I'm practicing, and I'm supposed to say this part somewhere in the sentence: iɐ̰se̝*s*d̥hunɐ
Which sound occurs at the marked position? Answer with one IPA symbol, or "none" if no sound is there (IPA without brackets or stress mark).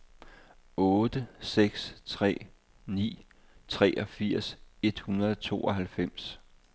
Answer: none